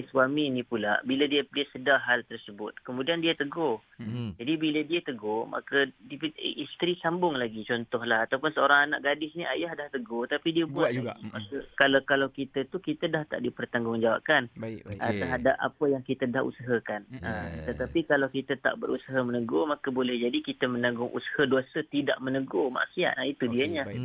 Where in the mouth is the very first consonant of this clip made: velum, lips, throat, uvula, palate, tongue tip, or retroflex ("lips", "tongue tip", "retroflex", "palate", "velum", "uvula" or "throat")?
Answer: tongue tip